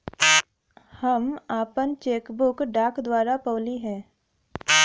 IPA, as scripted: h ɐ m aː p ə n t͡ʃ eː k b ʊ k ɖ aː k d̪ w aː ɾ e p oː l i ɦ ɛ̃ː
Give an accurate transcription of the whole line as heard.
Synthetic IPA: h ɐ m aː p ə n t͡ʃ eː k b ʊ k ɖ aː k d̪ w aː ɾ a p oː l i ɦ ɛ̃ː